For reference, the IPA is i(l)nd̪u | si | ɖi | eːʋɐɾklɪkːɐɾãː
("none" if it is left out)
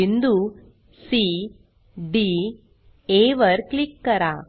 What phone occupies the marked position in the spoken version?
none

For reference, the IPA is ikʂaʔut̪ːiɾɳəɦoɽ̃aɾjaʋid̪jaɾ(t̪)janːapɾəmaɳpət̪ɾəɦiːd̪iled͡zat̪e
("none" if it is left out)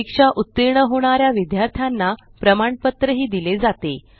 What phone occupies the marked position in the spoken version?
t̪ʰ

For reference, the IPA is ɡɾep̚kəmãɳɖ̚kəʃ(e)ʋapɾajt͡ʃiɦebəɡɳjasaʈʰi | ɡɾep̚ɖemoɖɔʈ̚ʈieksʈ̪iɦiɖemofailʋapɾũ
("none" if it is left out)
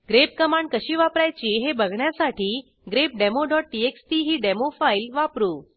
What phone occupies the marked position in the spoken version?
i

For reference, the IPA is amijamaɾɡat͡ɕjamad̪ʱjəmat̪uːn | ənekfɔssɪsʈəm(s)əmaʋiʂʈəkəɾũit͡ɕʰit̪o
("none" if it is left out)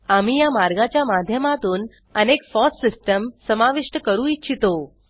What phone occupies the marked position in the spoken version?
s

